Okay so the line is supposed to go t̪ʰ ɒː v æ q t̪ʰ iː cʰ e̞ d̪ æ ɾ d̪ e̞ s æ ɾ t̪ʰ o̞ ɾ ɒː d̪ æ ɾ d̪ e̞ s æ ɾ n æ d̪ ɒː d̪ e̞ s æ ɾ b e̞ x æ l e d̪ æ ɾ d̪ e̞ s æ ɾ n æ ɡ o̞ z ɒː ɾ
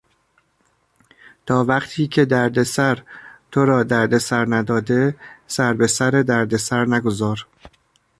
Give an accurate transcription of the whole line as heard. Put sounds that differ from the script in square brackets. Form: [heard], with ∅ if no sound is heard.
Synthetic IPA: t̪ʰ ɒː v æ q t̪ʰ iː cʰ e̞ d̪ æ ɾ d̪ e̞ s æ ɾ t̪ʰ o̞ ɾ ɒː d̪ æ ɾ d̪ e̞ s æ ɾ n æ d̪ ɒː d̪ e̞ s æ ɾ b e̞ [s] æ [ɾ] e d̪ æ ɾ d̪ e̞ s æ ɾ n æ ɡ o̞ z ɒː ɾ